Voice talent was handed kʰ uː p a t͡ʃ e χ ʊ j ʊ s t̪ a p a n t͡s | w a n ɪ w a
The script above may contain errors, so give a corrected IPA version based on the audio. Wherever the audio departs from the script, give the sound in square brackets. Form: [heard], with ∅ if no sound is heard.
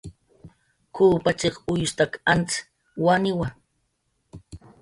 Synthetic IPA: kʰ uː p a t͡ʃ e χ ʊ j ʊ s t̪ a [k] a n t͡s | w a n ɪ w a